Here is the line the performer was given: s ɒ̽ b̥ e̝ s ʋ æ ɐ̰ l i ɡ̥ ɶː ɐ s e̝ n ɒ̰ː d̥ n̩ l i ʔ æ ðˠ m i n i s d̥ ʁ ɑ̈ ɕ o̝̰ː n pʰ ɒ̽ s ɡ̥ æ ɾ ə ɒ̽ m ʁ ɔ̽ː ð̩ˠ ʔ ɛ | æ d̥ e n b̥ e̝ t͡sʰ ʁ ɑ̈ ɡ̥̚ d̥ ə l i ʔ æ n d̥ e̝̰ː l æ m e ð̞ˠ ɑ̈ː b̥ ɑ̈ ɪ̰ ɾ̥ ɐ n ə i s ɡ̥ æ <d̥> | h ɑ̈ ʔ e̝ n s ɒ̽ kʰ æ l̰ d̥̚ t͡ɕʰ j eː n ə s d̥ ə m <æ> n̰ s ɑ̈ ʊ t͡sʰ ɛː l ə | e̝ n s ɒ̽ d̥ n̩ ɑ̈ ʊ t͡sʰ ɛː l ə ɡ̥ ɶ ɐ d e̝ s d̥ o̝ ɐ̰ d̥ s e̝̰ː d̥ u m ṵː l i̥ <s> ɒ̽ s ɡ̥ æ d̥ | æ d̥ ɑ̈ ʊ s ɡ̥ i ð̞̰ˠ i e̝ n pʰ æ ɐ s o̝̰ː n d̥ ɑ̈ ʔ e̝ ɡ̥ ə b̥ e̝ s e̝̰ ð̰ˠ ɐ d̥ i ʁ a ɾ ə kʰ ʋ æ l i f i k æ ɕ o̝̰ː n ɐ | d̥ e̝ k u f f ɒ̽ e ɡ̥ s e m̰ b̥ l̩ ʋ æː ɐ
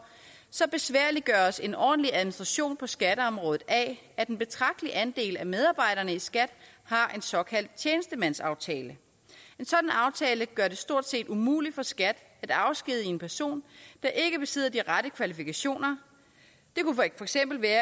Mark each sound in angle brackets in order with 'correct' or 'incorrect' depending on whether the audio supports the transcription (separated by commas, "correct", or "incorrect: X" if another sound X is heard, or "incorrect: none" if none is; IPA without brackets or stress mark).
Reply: correct, correct, incorrect: f